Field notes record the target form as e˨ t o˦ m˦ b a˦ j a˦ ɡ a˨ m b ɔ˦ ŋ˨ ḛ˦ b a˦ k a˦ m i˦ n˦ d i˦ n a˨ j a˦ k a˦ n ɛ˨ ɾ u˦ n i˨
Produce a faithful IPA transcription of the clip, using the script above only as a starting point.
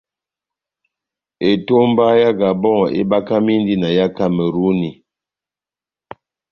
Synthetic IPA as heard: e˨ t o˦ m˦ b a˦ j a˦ ɡ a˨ b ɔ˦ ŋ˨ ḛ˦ b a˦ k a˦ m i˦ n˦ d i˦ n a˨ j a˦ k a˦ m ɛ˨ ɾ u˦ n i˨